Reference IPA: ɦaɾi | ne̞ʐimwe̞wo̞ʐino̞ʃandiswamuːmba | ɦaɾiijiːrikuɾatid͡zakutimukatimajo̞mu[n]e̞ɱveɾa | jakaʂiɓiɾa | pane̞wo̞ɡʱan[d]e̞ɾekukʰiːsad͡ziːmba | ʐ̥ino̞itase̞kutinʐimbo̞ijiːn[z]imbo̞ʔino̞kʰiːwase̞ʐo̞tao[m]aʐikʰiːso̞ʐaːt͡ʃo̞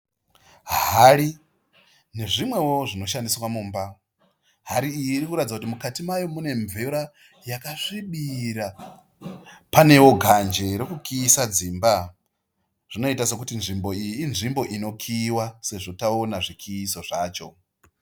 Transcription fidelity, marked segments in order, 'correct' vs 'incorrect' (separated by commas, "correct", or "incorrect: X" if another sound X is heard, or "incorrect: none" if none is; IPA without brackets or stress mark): correct, incorrect: d͡ʒ, incorrect: ʐ, incorrect: n